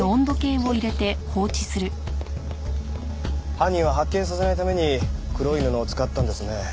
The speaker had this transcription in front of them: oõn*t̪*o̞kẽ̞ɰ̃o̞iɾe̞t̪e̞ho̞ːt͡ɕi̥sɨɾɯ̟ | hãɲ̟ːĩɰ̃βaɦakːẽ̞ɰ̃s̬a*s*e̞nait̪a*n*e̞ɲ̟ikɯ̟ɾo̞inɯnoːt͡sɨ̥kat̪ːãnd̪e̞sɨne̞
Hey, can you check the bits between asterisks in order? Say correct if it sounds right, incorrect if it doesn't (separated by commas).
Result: incorrect, correct, incorrect